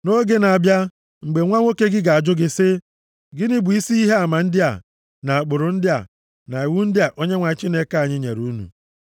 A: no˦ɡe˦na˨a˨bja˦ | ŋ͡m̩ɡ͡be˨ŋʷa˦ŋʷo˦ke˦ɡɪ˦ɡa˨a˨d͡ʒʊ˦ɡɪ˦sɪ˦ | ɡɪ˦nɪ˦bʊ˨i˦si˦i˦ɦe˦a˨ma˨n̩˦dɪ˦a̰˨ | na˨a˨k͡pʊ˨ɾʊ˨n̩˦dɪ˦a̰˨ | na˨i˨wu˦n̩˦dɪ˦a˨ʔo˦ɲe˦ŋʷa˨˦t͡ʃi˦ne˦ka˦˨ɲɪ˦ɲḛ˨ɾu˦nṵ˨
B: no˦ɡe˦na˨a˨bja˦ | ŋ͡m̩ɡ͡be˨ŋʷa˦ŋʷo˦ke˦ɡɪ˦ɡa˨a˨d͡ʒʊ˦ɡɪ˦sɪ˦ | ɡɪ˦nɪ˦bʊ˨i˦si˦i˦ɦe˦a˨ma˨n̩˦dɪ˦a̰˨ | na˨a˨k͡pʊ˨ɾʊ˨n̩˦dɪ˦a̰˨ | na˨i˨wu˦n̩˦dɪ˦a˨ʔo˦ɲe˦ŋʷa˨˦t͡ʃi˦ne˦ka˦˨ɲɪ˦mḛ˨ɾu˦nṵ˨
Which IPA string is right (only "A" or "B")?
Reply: A